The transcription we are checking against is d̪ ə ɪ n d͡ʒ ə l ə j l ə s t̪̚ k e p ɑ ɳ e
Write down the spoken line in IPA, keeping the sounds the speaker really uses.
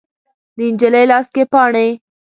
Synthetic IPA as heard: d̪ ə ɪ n d͡ʒ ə l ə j l ɑ s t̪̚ k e p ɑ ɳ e